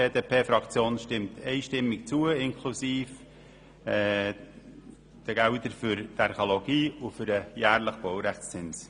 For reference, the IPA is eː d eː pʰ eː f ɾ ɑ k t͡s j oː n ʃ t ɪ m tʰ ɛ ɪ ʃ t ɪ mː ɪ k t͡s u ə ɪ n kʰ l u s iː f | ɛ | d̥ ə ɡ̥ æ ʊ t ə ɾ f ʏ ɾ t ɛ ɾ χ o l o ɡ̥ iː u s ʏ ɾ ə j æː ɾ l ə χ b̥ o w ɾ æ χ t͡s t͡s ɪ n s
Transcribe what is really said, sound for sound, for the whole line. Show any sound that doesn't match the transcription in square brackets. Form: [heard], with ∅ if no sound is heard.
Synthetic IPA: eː d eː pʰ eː f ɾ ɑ k t͡s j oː n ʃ t ɪ m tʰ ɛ ɪ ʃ t ɪ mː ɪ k t͡s u ə ɪ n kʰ l u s iː f | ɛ | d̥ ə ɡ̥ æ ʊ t ə ɾ f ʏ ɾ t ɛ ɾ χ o l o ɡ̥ iː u [f] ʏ ɾ ə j æː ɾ l ə χ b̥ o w ɾ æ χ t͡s t͡s ɪ n s